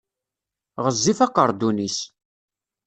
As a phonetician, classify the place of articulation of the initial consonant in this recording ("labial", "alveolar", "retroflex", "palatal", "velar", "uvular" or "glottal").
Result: uvular